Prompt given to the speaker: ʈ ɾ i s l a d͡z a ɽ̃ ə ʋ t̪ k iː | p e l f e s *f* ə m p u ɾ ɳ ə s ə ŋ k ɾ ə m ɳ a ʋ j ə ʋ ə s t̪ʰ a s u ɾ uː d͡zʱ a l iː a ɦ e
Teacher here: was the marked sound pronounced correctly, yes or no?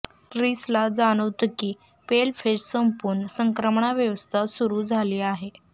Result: no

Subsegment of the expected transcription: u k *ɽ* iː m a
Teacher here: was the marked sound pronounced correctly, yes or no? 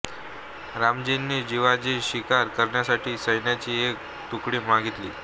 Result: yes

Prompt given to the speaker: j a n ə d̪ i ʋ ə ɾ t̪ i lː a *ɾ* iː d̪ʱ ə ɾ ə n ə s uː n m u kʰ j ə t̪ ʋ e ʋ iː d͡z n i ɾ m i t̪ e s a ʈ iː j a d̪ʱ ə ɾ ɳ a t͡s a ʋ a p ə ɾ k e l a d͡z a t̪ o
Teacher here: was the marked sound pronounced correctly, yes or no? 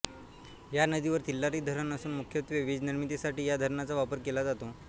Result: yes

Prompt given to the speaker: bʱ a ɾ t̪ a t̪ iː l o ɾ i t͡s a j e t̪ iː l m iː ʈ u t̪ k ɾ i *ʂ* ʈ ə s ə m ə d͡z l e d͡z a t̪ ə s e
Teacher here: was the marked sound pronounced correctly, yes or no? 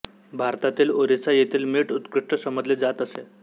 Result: yes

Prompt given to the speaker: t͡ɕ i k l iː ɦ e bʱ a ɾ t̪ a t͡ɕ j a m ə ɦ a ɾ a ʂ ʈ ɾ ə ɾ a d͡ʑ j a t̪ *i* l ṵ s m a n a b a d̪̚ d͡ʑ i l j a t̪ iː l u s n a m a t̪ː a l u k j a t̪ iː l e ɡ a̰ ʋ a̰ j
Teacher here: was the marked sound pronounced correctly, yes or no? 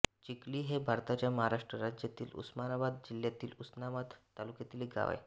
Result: no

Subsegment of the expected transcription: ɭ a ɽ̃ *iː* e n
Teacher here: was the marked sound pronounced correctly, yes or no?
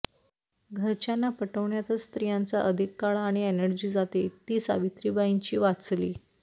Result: no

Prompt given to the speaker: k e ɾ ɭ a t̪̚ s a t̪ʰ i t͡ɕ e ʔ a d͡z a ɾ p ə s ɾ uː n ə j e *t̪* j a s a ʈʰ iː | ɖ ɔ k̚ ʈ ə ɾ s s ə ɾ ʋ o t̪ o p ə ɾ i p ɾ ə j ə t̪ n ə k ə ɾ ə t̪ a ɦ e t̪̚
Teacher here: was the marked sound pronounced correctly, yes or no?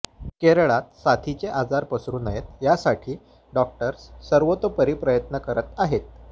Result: yes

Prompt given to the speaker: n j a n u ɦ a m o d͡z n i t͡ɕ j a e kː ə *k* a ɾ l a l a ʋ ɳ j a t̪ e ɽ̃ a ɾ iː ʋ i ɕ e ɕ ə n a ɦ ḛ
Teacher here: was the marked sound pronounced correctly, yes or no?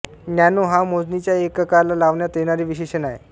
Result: yes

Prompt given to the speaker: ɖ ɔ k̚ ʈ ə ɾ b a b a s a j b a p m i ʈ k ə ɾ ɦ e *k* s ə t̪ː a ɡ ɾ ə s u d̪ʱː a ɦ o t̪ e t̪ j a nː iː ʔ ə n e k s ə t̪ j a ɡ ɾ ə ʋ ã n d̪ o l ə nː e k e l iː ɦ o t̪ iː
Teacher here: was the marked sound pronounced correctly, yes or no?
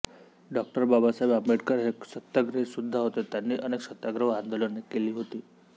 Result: yes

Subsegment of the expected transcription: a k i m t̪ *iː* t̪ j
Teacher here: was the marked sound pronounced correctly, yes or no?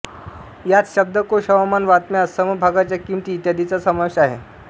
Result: yes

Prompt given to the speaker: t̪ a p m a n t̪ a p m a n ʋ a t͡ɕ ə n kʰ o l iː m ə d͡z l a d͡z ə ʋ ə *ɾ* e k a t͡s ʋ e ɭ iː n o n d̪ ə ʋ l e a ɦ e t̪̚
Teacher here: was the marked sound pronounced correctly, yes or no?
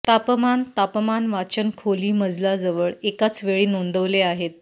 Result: no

